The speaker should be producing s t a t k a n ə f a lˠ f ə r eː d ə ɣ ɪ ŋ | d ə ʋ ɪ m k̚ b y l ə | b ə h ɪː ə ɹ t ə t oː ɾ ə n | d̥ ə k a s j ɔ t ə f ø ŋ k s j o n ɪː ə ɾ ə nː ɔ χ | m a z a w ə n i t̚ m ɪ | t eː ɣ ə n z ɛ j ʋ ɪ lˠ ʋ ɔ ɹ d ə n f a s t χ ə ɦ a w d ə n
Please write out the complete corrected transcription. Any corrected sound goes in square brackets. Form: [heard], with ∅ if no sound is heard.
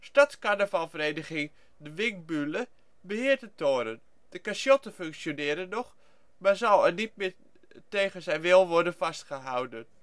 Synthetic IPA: s t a t k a n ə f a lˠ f ə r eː d ə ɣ ɪ ŋ | d ə ʋ ɪ [ŋ] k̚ b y l ə | b ə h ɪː ə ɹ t ə t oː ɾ ə n | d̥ ə k a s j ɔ t ə f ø ŋ k s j o n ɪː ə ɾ ə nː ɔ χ | m a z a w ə n i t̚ m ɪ | t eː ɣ ə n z ɛ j ʋ ɪ lˠ ʋ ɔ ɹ d ə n f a s t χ ə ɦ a w d ə n